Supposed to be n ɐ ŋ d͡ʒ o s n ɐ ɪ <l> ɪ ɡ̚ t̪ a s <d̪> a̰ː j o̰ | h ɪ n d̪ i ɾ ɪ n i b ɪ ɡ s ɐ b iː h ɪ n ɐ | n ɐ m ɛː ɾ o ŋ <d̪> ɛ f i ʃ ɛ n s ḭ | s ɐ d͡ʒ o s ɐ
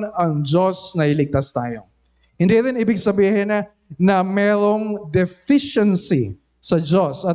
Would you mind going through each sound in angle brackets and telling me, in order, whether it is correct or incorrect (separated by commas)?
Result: correct, incorrect, correct